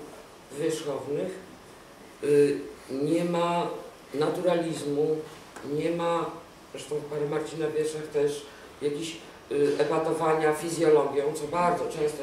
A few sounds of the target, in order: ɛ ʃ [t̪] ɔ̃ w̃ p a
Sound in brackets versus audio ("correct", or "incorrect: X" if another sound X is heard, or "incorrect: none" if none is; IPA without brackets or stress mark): correct